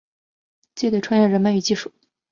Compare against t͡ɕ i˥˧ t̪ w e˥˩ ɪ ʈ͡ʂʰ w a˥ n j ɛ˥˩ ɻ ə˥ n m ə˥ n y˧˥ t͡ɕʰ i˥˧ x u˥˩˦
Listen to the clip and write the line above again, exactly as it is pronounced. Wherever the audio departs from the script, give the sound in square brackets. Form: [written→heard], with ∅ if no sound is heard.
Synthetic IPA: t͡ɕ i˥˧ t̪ w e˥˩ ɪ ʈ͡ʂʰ w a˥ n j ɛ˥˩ ɻ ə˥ n m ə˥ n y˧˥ [t͡ɕʰ→t͡ɕ] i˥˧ [x→ʂ] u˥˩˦